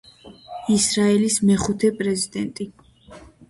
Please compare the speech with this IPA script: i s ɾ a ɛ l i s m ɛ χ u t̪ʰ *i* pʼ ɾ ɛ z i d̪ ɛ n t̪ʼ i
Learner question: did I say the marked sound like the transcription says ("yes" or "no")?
no